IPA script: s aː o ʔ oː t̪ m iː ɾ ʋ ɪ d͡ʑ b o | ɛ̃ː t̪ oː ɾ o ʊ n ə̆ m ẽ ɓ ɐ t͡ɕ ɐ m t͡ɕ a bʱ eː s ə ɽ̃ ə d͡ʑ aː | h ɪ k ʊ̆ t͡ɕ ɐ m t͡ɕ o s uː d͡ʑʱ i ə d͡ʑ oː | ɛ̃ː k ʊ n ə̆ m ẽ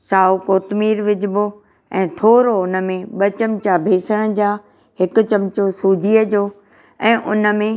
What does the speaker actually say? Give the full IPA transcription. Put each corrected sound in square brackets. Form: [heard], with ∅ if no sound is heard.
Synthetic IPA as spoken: s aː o [k] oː t̪ m iː ɾ ʋ ɪ d͡ʑ b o | ɛ̃ː [t̪ʰ] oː ɾ o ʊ n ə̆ m ẽ ɓ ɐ t͡ɕ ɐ m t͡ɕ a bʱ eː s ə ɽ̃ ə d͡ʑ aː | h ɪ k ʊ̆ t͡ɕ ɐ m t͡ɕ o s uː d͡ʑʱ i ə d͡ʑ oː | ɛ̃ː [ʔ] ʊ n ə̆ m ẽ